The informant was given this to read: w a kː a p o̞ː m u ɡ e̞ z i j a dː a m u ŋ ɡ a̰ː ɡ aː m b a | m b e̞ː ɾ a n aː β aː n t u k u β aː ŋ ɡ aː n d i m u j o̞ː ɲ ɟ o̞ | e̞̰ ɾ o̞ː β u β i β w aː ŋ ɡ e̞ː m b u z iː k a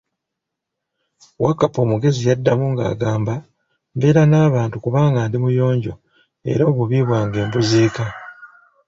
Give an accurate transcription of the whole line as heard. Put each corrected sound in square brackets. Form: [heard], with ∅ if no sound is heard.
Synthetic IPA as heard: w a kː a p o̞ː m u ɡ e̞ z i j a dː a m u ŋ ɡ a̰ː ɡ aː m b a | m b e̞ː ɾ a n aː β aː n t u k u β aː ŋ ɡ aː n d i m u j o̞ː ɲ ɟ o̞ | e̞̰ ɾ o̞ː β u β i β w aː ŋ ɡ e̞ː m b u z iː k a